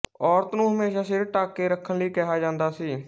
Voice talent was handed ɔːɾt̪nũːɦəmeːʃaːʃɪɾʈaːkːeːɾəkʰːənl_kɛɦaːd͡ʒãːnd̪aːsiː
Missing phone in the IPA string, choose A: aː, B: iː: B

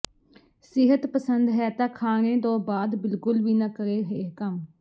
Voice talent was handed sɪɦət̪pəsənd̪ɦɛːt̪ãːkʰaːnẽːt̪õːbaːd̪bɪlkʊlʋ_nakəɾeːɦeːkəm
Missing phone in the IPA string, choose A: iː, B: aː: A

